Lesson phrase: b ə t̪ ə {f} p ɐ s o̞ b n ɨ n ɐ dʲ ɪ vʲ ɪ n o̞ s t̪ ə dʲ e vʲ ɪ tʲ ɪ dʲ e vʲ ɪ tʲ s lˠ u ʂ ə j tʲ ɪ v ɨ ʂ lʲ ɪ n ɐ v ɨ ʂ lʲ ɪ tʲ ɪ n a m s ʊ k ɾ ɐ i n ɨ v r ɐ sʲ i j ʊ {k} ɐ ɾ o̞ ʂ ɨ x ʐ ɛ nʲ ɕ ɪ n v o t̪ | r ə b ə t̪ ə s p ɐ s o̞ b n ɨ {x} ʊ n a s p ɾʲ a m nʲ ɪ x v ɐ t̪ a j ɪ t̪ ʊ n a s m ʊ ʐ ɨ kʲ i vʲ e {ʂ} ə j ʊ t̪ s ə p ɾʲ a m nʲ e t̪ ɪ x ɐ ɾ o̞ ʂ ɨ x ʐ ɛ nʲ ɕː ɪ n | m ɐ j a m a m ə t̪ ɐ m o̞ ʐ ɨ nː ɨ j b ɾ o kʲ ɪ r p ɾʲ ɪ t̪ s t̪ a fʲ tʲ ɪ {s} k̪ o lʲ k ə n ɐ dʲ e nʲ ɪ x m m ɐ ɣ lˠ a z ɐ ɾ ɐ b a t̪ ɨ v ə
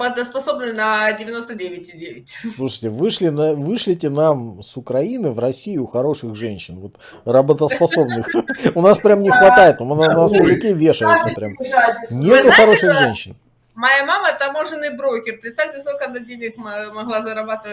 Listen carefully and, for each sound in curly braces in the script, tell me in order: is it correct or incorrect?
incorrect: s, incorrect: x, correct, correct, correct

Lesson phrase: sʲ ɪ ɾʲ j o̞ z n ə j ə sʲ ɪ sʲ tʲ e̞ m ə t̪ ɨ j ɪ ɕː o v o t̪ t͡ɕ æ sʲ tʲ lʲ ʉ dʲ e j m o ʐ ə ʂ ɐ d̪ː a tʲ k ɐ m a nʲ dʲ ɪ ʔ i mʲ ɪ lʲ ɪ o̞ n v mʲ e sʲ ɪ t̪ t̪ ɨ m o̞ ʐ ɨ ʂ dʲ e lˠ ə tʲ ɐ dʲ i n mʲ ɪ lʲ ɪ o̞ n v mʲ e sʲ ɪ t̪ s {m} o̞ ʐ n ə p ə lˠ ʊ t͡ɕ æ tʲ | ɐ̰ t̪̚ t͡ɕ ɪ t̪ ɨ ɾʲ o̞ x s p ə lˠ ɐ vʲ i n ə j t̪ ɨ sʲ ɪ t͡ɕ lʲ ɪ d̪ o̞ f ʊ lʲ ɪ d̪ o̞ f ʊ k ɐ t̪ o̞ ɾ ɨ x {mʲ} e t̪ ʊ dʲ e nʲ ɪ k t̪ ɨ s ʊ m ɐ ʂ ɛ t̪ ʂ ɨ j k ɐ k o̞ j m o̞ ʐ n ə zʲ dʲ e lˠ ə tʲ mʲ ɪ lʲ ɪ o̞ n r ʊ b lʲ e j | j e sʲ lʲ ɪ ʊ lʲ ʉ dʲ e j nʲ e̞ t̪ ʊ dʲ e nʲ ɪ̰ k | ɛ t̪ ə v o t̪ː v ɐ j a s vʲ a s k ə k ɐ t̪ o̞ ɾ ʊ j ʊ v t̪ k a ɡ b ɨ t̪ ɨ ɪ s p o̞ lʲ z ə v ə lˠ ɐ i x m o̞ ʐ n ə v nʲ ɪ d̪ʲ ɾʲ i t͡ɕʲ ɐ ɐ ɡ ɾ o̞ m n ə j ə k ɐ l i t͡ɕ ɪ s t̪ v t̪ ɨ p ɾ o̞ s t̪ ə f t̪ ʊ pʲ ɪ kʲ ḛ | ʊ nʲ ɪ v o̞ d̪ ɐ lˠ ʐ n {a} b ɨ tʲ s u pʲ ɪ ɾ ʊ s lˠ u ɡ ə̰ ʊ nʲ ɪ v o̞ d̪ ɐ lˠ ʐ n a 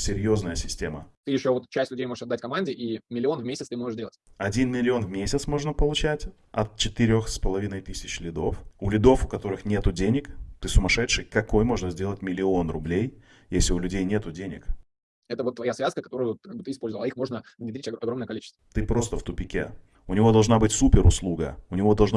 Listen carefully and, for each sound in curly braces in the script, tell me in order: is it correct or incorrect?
correct, incorrect: nʲ, correct

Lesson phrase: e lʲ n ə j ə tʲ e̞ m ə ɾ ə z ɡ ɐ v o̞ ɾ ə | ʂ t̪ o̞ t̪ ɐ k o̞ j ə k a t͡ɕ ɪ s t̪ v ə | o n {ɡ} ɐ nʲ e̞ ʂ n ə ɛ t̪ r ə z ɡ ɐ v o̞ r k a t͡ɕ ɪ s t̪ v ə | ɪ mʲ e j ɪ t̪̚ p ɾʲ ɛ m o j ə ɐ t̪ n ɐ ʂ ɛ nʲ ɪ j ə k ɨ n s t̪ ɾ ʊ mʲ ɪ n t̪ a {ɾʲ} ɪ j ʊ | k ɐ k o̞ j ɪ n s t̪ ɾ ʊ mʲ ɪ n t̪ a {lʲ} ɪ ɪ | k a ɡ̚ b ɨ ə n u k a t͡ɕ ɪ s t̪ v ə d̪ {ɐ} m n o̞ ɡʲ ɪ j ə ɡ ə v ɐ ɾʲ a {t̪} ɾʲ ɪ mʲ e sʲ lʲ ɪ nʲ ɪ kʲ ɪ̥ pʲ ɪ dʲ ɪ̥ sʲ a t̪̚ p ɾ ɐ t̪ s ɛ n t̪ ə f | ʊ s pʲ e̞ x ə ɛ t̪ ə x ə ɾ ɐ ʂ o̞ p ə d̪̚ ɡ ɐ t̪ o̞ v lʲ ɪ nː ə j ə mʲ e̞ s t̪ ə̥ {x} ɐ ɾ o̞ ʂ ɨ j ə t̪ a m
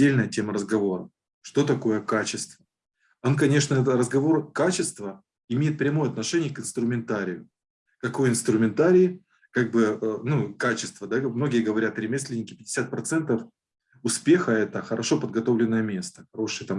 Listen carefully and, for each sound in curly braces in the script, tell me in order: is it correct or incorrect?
incorrect: k, correct, incorrect: ɾʲ, incorrect: a, correct, correct

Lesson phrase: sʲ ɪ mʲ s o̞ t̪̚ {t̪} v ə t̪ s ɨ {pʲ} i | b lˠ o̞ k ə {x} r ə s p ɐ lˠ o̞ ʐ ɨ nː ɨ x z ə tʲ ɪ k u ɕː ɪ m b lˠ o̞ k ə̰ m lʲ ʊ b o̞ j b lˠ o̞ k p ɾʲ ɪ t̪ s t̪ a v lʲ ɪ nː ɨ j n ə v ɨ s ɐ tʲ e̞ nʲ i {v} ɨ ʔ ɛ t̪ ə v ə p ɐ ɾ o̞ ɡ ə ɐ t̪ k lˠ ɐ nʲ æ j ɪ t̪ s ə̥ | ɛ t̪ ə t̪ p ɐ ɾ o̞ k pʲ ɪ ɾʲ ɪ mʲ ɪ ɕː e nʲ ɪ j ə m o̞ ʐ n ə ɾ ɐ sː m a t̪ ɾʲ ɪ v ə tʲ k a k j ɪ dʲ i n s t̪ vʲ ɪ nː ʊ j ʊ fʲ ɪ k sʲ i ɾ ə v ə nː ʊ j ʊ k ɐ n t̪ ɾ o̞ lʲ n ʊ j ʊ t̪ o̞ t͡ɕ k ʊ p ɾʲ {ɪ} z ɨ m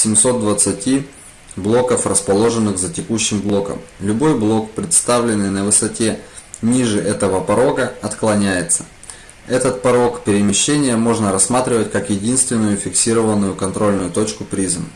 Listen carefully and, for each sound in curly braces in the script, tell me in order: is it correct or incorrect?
incorrect: d̪, incorrect: tʲ, incorrect: f, incorrect: ʐ, incorrect: i

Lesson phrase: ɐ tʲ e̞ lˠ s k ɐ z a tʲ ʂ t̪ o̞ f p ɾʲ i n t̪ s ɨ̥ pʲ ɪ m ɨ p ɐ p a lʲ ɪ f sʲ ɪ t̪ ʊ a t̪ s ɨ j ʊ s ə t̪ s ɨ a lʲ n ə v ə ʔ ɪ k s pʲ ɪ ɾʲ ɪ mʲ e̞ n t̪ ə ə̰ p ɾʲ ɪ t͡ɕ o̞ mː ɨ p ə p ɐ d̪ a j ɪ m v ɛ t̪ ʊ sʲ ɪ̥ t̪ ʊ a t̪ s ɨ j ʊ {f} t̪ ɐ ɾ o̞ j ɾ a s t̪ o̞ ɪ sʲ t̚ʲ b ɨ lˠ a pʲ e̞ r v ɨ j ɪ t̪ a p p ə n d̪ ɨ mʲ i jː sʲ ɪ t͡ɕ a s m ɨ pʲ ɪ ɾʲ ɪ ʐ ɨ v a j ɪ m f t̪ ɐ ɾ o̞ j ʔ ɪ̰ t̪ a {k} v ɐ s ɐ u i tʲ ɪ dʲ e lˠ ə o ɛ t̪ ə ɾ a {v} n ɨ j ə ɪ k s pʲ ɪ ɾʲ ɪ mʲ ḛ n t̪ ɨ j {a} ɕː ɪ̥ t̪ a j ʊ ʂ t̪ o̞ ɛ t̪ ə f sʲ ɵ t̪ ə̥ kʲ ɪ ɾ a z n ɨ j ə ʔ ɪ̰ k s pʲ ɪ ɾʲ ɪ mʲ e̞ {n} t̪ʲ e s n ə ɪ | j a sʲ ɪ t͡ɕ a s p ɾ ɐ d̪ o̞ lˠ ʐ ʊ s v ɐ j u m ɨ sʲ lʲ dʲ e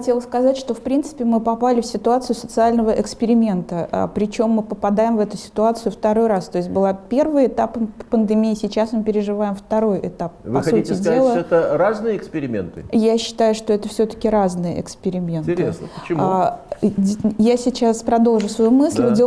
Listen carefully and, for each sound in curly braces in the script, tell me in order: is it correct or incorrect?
correct, incorrect: p, incorrect: z, correct, correct

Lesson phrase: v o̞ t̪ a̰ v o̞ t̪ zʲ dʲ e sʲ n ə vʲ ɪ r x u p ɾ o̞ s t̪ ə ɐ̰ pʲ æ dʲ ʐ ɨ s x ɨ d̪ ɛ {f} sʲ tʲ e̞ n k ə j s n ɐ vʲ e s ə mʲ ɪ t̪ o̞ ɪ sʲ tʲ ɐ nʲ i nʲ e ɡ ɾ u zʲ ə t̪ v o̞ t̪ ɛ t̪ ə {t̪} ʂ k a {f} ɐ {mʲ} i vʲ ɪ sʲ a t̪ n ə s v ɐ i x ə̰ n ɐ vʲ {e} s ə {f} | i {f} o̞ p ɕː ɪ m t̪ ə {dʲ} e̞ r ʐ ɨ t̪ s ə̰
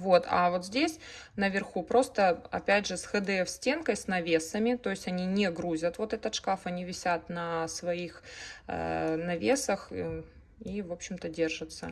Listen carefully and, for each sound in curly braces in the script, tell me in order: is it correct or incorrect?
correct, correct, correct, incorrect: nʲ, correct, incorrect: x, incorrect: v, correct

